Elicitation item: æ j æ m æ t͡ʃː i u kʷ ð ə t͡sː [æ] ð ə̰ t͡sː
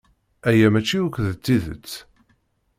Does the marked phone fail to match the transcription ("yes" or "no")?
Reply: yes